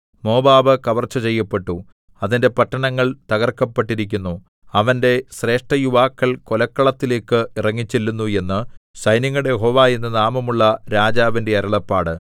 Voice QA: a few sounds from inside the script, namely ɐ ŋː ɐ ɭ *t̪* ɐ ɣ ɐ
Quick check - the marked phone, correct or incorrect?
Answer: correct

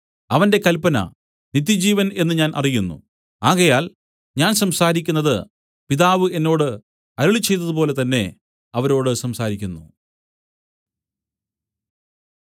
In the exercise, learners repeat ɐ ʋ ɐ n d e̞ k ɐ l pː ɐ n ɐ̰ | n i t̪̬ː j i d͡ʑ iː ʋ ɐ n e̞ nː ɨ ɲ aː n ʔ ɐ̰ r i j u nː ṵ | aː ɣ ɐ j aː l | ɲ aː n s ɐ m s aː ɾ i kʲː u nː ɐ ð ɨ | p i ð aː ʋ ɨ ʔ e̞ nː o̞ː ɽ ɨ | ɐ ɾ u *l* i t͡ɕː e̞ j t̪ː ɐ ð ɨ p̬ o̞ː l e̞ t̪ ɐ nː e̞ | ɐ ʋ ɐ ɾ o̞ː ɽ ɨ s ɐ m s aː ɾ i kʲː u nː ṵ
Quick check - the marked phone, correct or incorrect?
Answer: incorrect: ɭ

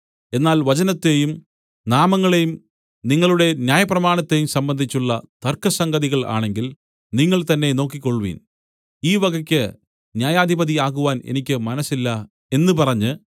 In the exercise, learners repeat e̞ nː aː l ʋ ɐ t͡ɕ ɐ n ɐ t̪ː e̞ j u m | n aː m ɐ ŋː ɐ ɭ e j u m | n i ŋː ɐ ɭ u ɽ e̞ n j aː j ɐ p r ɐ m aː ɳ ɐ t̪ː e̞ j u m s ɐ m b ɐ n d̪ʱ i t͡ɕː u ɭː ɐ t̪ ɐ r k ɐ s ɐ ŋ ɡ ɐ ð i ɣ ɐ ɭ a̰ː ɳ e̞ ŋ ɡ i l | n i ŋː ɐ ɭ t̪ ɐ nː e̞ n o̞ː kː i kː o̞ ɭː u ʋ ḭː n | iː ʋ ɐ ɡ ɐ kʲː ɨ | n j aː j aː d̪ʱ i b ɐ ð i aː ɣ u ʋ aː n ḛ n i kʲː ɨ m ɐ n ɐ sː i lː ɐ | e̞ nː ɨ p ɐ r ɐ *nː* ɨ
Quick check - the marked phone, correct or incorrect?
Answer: incorrect: ɲː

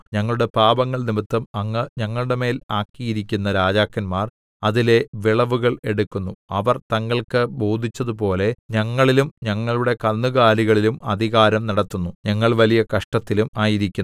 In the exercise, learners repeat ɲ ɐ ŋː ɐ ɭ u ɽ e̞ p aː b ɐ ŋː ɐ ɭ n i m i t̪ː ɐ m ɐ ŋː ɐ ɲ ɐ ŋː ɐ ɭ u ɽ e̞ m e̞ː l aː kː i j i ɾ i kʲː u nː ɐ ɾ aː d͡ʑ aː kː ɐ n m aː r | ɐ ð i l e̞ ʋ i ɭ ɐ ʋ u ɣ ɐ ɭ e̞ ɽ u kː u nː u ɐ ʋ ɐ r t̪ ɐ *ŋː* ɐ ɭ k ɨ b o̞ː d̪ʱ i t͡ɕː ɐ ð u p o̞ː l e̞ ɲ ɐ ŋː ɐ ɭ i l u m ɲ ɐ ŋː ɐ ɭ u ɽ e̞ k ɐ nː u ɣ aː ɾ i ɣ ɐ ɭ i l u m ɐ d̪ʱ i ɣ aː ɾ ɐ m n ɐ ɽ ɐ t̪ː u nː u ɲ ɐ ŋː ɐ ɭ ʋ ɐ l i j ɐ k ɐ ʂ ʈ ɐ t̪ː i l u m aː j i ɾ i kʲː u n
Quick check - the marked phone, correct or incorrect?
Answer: correct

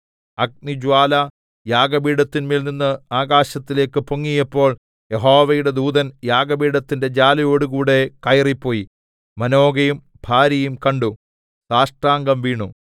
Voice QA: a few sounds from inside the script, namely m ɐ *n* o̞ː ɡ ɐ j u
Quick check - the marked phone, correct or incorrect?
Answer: correct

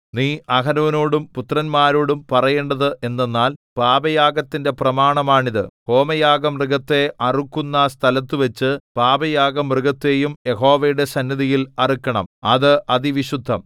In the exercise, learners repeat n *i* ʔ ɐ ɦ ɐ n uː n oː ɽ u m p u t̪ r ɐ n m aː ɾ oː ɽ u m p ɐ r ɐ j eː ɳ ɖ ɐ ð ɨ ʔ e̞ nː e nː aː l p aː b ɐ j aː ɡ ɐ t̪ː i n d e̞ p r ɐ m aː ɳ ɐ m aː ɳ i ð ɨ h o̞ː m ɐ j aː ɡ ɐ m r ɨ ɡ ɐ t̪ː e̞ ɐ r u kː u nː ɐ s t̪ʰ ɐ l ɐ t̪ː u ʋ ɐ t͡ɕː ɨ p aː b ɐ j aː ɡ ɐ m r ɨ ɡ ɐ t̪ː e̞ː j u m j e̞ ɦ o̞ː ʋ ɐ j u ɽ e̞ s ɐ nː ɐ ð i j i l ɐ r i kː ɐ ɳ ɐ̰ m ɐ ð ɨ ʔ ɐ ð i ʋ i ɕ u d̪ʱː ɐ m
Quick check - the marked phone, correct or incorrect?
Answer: incorrect: iː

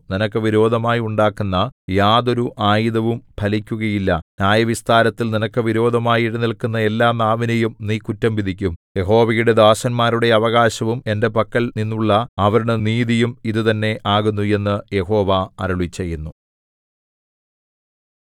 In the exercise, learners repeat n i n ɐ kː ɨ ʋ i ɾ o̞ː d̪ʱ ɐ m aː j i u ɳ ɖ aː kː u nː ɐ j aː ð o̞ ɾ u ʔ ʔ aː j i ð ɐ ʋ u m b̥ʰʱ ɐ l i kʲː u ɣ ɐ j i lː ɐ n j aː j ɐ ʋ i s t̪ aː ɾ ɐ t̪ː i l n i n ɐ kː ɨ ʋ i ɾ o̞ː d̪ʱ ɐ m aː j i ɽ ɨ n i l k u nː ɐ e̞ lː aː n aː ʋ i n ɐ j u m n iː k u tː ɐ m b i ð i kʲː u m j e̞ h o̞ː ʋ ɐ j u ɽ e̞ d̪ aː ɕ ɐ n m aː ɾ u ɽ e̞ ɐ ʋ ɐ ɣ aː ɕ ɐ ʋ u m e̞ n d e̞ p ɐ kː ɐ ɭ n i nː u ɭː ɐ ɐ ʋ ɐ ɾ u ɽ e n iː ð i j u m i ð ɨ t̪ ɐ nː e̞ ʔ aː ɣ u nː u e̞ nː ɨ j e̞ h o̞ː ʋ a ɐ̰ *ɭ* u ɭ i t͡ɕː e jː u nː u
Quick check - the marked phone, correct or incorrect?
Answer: incorrect: ɾ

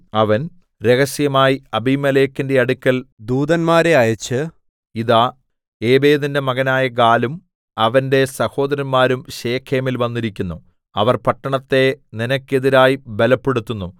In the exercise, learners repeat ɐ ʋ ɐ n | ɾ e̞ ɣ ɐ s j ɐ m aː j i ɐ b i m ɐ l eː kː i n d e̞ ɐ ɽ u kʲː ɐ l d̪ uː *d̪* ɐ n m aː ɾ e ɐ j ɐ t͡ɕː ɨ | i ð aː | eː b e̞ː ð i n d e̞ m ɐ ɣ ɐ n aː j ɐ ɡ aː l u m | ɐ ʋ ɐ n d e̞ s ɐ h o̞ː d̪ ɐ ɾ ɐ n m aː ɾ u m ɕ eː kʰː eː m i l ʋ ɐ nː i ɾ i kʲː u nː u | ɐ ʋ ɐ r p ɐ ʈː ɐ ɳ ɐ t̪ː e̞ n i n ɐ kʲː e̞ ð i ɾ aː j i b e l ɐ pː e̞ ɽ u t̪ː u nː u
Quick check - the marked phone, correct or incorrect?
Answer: correct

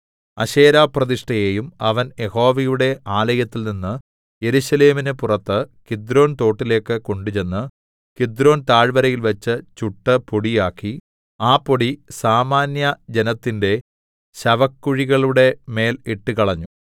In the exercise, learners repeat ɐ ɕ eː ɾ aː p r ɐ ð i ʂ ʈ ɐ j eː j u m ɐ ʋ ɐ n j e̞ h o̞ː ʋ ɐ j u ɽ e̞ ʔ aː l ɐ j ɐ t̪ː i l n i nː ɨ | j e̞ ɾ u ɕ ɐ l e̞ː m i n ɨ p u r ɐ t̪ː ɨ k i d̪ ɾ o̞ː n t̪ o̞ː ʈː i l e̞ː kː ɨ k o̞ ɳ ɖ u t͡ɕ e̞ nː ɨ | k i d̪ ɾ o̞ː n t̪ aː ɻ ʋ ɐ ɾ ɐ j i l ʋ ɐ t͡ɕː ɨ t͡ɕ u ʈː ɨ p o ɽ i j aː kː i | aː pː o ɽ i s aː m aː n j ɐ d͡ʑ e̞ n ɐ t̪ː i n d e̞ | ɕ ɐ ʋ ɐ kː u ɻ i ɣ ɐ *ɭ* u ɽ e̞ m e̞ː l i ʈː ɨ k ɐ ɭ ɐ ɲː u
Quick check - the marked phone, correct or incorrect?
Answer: correct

